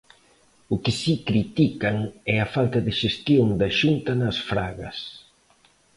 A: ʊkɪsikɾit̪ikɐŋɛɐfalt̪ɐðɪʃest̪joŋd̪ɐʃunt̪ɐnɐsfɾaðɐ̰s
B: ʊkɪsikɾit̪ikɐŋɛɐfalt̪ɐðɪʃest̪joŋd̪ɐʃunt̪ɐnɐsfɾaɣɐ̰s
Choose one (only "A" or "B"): B